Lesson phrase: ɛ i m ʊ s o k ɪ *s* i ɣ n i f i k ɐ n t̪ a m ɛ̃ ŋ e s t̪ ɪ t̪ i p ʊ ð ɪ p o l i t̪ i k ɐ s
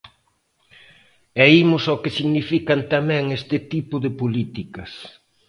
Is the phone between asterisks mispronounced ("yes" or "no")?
no